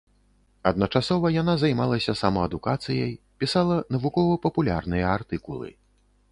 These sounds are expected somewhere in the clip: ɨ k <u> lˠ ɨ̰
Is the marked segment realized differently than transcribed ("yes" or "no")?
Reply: no